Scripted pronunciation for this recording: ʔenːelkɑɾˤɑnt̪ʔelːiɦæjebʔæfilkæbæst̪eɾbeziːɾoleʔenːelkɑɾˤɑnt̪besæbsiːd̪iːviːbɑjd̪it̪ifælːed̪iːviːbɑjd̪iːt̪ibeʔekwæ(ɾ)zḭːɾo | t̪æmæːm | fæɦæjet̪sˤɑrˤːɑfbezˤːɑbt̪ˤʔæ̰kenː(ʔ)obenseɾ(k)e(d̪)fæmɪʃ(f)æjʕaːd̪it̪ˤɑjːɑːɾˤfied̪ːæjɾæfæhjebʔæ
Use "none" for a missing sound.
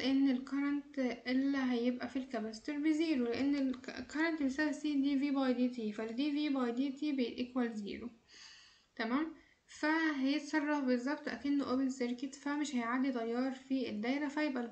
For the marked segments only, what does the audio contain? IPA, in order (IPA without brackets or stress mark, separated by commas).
l, ʔ, k, t̪, h